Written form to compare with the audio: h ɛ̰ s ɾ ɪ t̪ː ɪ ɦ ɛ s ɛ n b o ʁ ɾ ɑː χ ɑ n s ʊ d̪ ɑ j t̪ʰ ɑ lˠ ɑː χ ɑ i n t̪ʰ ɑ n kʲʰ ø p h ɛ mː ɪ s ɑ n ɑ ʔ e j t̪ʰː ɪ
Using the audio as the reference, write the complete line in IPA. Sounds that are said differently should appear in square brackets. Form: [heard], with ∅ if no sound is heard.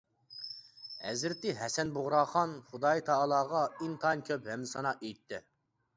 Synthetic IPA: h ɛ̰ [z] ɾ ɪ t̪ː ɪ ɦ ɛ s ɛ n b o ʁ ɾ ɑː χ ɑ n [χ] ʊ d̪ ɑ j t̪ʰ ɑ lˠ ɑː [ʁ] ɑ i n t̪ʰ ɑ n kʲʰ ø p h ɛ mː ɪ s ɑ n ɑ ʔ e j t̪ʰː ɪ